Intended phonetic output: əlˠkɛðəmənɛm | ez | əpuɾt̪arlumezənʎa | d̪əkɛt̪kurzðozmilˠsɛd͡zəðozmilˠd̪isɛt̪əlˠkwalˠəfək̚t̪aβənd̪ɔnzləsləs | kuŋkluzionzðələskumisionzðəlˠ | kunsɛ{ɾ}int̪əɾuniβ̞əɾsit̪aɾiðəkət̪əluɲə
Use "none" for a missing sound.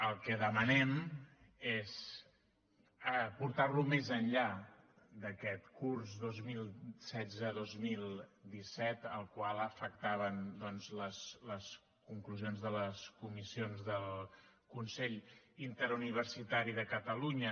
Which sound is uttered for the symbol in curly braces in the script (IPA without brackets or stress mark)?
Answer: ʎ